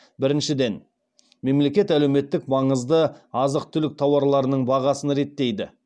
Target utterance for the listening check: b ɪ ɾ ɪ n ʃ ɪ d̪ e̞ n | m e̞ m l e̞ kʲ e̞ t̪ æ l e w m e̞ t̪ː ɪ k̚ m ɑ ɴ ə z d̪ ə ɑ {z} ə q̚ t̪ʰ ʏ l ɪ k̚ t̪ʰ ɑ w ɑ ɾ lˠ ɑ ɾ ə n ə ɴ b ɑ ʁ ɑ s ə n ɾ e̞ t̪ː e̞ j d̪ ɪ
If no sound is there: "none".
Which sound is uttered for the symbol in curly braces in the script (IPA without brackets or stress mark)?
z